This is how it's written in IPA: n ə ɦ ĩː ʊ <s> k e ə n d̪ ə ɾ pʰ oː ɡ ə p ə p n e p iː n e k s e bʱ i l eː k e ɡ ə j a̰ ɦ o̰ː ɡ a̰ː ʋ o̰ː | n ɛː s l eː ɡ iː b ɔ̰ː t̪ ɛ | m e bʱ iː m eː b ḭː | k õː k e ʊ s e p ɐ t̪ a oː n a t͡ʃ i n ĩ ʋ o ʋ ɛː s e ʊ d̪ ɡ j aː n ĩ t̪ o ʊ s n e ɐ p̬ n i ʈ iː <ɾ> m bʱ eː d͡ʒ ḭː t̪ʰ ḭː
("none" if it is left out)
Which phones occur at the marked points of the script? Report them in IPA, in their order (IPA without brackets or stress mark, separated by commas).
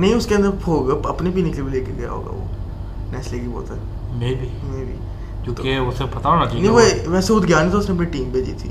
s, none